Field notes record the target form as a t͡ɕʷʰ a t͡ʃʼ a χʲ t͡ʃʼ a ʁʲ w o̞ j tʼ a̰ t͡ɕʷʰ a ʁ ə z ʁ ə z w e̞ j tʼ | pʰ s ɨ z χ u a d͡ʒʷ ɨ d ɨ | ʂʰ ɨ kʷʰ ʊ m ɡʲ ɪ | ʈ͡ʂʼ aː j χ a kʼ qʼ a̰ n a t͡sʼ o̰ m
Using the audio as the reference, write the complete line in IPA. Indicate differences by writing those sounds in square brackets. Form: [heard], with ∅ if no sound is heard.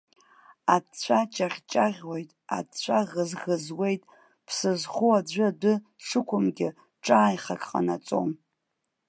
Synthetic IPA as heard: a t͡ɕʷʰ a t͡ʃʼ a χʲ t͡ʃʼ a ʁʲ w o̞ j tʼ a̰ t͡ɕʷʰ a ʁ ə z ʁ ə z w e̞ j tʼ | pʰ s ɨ z χ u a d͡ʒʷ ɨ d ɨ | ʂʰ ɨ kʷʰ ʊ m ɡʲ ɪ | ʈ͡ʂʼ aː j χ a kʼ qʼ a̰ n a t͡sʼ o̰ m